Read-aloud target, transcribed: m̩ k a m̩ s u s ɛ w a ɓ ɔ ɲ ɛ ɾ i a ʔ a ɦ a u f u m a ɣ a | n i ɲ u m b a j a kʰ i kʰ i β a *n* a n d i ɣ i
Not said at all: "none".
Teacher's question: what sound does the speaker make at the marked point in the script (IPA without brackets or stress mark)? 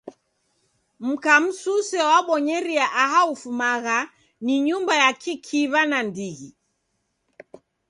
n